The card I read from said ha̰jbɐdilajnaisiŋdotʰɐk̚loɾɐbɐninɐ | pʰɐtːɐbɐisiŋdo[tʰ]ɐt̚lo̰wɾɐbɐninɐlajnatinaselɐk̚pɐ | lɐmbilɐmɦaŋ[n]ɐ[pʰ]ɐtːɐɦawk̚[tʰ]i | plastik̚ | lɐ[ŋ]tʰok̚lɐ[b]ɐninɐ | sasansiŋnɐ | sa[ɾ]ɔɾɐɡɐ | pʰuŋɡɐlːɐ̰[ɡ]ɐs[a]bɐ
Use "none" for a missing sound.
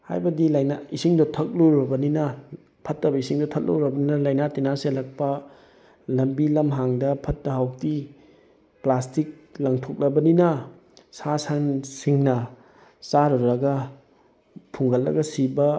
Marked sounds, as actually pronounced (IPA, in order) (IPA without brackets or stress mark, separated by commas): tʰ, d, pʰ, t, ŋ, b, ɾ, ɡ, i